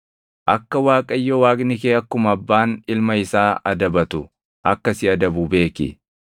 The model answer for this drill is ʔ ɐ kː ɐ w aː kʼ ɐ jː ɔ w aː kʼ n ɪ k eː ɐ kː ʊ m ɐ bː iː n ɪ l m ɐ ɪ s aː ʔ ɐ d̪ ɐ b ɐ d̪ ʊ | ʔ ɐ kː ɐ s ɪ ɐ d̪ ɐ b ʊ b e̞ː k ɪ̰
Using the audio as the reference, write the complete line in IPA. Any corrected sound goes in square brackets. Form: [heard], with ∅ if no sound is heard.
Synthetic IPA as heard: ʔ ɐ kː ɐ w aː kʼ ɐ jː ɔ w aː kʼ n ɪ k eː ɐ kː ʊ m ɐ bː [aː] n ɪ l m ɐ ɪ s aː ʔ ɐ d̪ ɐ b ɐ [t̪] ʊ | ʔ ɐ kː ɐ s ɪ ɐ d̪ ɐ b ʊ b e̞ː k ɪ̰